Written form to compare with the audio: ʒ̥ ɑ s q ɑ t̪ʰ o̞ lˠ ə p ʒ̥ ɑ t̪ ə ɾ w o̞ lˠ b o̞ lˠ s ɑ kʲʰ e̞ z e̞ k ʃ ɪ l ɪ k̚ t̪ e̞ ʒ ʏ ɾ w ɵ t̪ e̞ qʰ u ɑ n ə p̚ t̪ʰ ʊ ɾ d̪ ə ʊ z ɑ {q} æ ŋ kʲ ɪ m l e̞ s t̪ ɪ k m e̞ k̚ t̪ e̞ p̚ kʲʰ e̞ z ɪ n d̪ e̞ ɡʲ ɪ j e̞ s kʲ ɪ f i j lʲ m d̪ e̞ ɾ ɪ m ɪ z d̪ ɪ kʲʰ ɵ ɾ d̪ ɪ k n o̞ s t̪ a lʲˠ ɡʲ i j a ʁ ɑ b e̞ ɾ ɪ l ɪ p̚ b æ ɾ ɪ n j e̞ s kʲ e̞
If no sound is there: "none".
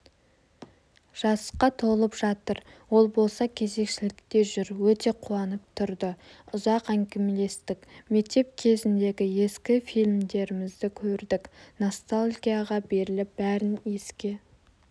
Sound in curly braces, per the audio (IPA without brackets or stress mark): q